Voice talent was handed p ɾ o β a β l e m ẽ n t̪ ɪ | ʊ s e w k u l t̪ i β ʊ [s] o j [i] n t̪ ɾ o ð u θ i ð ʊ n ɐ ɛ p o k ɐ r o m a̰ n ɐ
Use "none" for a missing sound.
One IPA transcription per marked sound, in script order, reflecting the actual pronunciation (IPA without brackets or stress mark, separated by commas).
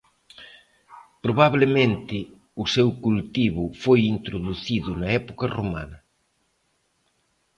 f, i